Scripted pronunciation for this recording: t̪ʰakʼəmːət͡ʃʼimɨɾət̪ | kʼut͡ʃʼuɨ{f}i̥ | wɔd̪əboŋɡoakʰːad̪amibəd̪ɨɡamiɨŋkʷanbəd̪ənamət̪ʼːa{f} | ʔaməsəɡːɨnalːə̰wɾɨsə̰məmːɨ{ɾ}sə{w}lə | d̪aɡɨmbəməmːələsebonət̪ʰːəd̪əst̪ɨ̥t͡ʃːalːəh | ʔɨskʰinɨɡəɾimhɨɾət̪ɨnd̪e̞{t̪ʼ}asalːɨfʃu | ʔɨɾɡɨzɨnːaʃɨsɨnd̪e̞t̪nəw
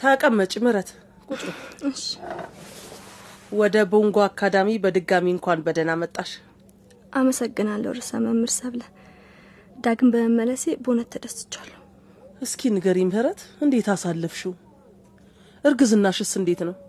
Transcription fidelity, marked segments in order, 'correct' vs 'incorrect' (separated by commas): incorrect, incorrect, correct, incorrect, incorrect